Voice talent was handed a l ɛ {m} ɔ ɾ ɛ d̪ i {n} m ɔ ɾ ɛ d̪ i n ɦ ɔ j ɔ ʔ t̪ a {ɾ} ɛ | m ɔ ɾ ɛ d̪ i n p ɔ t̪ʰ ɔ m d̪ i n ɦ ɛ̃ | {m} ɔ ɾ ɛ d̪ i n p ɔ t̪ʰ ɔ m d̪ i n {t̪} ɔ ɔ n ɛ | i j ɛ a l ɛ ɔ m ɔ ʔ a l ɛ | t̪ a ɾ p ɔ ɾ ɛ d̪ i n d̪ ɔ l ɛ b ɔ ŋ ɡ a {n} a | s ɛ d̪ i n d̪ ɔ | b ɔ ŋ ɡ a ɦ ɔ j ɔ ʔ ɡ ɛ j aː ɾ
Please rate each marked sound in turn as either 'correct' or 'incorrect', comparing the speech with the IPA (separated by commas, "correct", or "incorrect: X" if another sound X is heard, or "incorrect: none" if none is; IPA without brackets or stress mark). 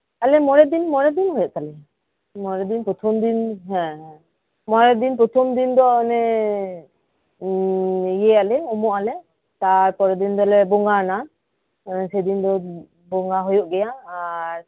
correct, correct, incorrect: l, correct, incorrect: d̪, correct